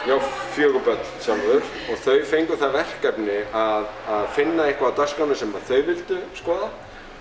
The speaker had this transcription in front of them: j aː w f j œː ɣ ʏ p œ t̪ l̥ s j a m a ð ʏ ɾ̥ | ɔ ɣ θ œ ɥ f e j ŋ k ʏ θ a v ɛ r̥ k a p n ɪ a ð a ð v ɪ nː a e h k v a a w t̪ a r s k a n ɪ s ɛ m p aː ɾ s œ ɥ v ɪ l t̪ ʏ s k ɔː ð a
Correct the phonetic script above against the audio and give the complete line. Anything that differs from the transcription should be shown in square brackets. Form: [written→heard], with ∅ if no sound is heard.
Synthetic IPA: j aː w f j œː ɣ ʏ p œ t̪ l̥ s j a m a ð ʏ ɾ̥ | ɔ ɣ θ œ ɥ f e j ŋ k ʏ θ a v ɛ r̥ k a p n ɪ a ð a ð [v→f] ɪ nː a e h k v a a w t̪ a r s k a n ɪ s ɛ m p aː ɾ [s→θ] œ ɥ v ɪ l t̪ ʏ s k ɔː ð a